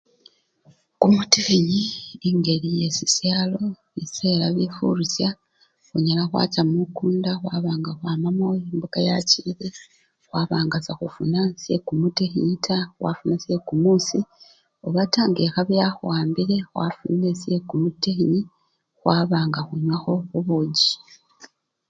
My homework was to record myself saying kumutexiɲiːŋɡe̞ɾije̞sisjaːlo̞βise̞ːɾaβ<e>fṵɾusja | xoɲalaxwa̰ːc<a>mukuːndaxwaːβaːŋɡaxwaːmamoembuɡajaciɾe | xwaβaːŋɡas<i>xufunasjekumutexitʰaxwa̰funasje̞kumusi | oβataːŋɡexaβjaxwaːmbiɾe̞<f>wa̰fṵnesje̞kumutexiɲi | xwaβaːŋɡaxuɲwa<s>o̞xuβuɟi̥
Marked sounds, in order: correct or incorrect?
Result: incorrect: i, correct, incorrect: a, incorrect: x, incorrect: x

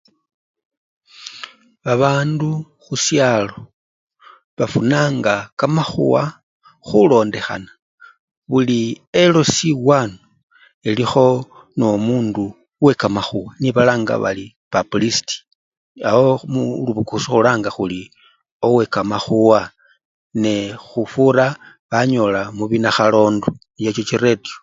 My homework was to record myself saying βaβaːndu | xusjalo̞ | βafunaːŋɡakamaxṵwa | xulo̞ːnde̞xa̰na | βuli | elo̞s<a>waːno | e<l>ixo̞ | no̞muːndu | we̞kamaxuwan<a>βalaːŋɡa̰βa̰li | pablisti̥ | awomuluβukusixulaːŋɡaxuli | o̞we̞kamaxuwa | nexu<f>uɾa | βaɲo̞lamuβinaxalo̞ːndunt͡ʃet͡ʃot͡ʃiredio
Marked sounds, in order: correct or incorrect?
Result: incorrect: i, correct, incorrect: i, correct

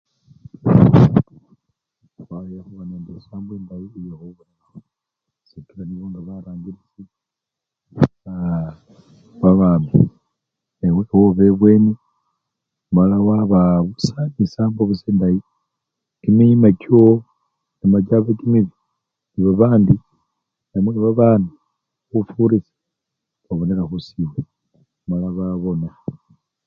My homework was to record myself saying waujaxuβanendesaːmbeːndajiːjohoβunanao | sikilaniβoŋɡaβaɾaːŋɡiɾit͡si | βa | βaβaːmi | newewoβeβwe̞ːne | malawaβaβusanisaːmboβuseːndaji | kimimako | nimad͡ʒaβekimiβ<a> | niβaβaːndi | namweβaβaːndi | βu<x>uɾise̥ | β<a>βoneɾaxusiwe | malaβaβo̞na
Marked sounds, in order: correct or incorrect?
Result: incorrect: i, incorrect: f, correct

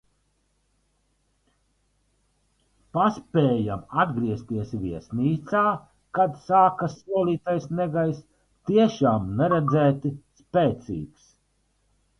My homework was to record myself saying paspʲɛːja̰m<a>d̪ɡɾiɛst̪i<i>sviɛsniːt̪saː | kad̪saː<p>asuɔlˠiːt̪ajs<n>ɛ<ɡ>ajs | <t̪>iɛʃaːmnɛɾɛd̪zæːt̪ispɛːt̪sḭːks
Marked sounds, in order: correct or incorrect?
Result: correct, incorrect: ɛ, incorrect: k, correct, correct, correct

